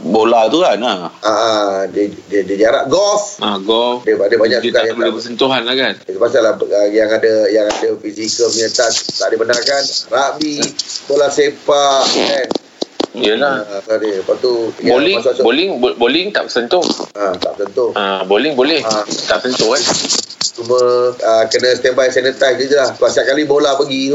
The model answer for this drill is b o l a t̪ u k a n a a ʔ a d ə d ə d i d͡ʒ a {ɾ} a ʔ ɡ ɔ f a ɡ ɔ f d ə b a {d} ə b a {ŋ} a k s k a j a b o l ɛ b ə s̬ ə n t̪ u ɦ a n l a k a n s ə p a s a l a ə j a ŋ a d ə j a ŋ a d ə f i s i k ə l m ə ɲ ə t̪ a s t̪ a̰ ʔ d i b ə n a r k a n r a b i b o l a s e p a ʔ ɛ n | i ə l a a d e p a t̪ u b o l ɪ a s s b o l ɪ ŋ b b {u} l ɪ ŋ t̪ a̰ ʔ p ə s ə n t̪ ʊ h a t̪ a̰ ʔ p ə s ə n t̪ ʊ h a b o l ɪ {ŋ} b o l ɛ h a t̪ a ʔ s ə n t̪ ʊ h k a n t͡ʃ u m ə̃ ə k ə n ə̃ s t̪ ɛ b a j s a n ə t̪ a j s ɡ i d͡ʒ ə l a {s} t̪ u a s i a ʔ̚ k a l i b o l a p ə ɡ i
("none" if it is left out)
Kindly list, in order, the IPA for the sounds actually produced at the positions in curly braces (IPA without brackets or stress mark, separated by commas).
ɾ, d, ɲ, o, ŋ, h